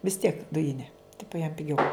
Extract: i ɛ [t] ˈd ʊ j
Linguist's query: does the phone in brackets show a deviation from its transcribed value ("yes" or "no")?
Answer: yes